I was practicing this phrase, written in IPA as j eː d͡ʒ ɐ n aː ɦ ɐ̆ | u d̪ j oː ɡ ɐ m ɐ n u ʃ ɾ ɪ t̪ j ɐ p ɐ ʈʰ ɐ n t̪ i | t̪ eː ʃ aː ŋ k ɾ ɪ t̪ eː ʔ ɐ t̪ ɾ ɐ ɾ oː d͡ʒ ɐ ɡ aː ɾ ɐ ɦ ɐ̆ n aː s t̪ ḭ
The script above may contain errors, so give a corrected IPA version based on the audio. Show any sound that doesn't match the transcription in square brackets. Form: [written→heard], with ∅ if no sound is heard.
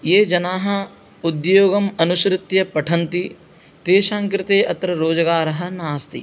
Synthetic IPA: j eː d͡ʒ ɐ n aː ɦ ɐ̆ | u d̪ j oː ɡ ɐ m ɐ n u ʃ ɾ ɪ t̪ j ɐ p ɐ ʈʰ ɐ n t̪ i | t̪ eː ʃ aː ŋ k ɾ ɪ t̪ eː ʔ ɐ t̪ ɾ ɐ ɾ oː d͡ʒ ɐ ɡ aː ɾ ɐ ɦ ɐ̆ n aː s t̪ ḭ